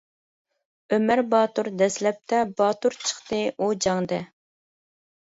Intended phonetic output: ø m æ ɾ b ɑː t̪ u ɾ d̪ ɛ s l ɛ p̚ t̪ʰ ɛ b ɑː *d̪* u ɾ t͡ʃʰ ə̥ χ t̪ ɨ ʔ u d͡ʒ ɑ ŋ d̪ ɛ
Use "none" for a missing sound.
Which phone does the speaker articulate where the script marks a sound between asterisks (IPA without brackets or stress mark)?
t̪